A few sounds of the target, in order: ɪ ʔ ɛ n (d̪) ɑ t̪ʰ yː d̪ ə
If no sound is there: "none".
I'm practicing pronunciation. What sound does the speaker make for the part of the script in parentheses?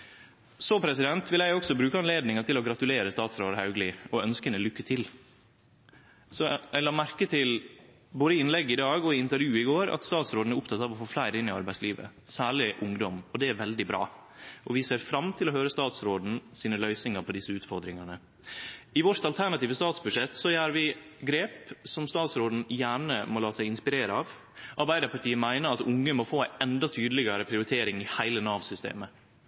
d̪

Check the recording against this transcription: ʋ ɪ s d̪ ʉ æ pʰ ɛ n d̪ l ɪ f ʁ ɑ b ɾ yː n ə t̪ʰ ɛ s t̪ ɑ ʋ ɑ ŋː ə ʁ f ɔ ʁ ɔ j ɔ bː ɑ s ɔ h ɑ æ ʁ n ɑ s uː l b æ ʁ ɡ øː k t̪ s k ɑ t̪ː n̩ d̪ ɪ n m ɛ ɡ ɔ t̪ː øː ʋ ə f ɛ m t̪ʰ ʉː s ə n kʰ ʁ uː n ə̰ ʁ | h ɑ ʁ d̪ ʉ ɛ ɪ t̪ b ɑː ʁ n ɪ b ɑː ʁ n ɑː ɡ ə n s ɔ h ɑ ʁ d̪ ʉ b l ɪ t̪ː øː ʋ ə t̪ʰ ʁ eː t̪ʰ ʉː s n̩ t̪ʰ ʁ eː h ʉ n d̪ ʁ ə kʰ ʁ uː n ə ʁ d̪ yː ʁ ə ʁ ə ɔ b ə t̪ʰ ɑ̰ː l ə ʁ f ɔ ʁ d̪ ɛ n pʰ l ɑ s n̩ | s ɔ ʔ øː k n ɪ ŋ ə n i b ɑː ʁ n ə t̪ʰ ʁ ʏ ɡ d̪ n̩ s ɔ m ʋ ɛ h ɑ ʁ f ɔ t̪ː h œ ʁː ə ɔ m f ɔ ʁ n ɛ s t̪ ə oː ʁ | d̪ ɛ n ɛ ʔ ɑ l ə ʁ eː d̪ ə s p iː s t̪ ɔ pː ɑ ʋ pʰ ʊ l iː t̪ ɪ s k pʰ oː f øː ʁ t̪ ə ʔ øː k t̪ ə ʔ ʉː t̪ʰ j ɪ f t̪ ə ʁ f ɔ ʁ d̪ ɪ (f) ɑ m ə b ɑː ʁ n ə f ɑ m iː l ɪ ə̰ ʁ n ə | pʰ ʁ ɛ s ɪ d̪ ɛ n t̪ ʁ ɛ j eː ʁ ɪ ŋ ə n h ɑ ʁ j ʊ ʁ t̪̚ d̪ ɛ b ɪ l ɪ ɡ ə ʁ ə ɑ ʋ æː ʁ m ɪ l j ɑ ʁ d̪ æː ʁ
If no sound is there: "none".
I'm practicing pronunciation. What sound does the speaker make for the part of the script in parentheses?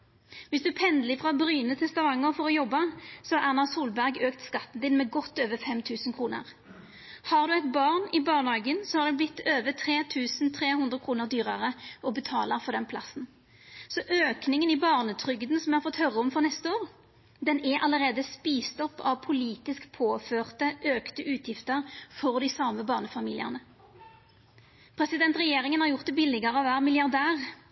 s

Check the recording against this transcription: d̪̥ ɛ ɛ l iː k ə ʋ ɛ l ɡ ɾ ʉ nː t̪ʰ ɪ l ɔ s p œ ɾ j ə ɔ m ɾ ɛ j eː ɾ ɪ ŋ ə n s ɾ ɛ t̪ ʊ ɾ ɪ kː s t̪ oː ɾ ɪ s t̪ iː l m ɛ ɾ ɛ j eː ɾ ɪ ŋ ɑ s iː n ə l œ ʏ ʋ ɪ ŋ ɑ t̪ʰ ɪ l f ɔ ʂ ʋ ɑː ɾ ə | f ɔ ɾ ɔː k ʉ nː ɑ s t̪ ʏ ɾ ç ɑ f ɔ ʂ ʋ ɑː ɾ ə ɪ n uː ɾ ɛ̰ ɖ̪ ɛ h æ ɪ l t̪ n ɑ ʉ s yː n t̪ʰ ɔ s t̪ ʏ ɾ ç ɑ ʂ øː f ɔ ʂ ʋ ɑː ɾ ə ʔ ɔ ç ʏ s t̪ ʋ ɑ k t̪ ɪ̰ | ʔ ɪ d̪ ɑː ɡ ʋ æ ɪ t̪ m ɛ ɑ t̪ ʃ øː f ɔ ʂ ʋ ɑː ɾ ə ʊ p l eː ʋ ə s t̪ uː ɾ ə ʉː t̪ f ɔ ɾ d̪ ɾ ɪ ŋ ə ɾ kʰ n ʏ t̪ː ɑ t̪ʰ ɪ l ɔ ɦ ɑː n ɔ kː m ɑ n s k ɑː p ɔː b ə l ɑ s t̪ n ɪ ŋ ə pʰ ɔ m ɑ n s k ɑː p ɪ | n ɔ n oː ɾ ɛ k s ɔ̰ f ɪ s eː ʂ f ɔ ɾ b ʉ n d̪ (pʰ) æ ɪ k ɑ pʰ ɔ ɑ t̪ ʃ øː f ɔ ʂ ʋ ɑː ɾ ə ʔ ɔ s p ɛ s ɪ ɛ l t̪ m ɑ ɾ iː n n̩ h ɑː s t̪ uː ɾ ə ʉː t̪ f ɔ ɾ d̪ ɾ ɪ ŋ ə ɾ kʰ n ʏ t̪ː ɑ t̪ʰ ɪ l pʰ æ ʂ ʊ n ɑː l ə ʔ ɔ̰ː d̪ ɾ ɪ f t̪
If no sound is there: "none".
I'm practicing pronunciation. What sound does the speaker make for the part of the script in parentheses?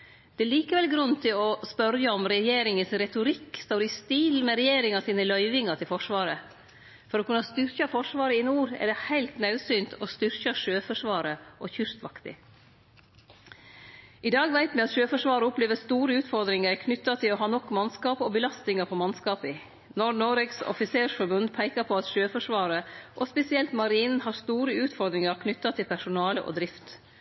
pʰ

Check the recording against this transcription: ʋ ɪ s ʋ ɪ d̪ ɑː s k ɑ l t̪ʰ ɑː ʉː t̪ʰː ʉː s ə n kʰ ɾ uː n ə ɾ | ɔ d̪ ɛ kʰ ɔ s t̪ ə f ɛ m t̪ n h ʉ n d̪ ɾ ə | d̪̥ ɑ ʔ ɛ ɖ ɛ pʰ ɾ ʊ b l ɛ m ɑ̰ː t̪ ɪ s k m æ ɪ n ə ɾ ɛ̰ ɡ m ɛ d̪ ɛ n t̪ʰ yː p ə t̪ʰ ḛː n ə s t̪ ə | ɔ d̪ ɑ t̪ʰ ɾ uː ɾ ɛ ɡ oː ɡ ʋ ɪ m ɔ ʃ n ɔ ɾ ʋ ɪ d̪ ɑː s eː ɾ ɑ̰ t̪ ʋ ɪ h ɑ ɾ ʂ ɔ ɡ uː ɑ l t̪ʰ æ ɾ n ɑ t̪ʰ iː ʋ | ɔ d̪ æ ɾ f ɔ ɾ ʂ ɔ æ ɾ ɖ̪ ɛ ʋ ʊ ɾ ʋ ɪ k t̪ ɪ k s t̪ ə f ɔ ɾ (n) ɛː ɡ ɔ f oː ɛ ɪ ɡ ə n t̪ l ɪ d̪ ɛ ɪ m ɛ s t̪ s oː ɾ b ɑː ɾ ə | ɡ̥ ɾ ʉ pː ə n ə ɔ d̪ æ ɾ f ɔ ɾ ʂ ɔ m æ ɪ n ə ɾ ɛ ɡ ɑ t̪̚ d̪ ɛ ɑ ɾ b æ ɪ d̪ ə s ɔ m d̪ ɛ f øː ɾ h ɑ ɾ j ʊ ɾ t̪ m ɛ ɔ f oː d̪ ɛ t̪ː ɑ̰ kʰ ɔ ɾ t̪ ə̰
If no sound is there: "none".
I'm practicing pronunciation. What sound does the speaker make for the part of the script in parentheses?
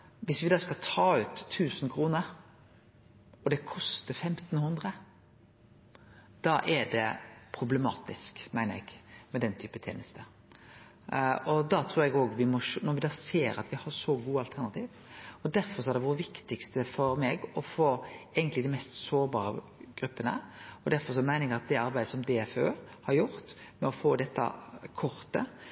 m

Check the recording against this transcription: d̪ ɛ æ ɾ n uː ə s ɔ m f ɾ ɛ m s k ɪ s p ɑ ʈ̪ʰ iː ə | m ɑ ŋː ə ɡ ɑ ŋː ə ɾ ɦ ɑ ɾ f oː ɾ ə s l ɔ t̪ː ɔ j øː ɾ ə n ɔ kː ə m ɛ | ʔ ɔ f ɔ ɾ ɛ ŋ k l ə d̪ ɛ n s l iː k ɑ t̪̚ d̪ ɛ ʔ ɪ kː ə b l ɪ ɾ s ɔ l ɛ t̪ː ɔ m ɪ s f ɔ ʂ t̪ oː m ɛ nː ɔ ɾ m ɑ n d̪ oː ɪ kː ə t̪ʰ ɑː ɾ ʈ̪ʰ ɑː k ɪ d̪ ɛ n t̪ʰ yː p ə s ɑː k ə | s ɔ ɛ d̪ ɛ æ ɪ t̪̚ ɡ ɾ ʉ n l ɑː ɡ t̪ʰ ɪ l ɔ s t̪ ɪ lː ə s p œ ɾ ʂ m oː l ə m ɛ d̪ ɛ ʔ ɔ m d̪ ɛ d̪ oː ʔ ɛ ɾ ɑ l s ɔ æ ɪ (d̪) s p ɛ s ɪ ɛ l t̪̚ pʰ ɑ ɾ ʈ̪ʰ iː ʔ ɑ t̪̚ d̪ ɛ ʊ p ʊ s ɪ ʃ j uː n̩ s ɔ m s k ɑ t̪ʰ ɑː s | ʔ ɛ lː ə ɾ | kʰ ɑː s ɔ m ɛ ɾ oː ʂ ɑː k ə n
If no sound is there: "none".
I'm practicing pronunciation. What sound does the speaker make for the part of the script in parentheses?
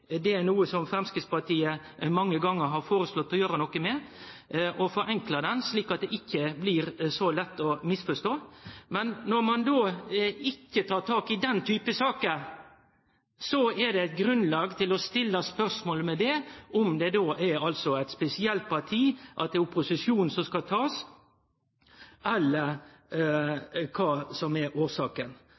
t̪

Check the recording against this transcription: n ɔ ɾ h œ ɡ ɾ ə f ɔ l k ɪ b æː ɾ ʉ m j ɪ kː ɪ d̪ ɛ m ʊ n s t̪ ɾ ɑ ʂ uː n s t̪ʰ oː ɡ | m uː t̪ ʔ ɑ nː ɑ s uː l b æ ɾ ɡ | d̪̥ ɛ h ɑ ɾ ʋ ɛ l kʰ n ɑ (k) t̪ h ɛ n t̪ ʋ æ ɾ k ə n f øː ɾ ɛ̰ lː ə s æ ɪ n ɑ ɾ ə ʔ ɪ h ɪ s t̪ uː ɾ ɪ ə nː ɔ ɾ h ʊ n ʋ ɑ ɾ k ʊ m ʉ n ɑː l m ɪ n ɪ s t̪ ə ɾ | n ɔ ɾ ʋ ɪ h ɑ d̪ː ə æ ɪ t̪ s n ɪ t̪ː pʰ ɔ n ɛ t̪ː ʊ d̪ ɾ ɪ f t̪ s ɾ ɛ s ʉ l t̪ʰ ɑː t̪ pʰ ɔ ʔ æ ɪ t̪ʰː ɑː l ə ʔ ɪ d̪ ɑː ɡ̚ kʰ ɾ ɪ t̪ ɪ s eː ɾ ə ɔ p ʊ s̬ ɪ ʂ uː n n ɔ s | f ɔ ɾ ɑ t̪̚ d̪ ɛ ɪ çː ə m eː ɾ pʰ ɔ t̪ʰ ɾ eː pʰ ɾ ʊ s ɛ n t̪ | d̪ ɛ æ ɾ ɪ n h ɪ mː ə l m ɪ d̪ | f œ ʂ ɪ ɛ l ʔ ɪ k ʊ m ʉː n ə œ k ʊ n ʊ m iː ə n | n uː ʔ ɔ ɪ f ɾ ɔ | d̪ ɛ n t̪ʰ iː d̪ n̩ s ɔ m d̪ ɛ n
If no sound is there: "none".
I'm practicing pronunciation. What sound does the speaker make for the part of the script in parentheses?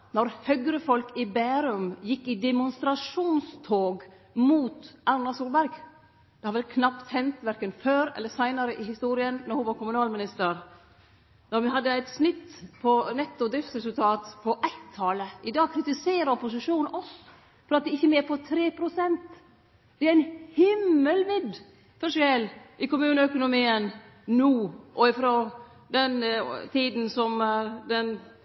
p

